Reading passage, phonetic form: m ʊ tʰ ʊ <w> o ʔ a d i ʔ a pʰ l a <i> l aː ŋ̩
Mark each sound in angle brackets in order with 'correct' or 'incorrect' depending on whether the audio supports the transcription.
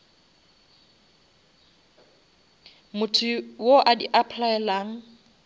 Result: correct, incorrect: ɛ

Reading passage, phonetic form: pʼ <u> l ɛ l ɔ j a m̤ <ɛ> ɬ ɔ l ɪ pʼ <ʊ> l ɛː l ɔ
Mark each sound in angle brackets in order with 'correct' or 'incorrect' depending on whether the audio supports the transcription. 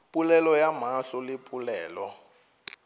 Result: correct, incorrect: a, incorrect: u

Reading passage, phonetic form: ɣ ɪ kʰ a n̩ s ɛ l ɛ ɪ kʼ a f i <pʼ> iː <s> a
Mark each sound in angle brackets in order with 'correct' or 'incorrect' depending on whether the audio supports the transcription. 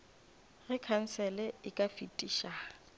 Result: incorrect: tʼ, incorrect: ʃ

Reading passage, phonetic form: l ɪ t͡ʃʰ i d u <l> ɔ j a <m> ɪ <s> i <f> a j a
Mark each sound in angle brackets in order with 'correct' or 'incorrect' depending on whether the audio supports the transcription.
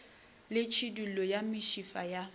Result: correct, correct, incorrect: ʃ, correct

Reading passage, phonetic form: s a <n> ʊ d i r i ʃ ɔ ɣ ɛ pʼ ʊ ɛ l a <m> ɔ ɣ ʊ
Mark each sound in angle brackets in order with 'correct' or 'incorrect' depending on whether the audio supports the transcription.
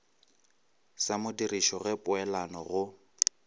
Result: incorrect: m, incorrect: n

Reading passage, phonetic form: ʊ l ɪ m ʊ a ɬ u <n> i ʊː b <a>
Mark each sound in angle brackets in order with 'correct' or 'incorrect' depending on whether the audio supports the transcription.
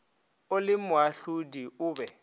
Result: incorrect: d, incorrect: ɛ

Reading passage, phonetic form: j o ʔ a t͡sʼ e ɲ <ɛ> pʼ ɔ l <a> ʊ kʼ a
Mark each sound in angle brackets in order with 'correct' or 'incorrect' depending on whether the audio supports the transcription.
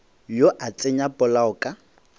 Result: incorrect: a, correct

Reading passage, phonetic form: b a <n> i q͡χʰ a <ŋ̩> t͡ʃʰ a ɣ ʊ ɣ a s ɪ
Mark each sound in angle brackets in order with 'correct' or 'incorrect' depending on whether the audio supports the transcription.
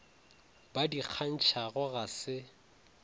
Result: incorrect: d, incorrect: n̩

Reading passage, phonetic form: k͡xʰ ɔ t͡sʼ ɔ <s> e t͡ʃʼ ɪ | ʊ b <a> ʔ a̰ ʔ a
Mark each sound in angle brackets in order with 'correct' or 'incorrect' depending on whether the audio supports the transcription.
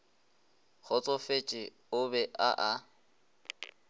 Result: incorrect: f, incorrect: ɛ

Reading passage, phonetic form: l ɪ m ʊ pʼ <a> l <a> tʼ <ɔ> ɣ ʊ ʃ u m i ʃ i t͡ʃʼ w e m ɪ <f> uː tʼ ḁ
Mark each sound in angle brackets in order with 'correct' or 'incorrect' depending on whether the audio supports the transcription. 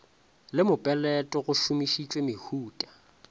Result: incorrect: ɛ, incorrect: ɛ, correct, incorrect: h

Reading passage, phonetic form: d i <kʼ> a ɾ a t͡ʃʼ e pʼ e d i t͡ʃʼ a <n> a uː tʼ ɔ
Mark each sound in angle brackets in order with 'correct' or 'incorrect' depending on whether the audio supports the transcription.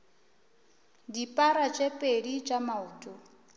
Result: incorrect: pʼ, incorrect: m

